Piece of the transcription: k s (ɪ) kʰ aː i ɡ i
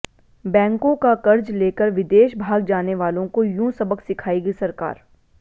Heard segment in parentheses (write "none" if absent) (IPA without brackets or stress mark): ɪ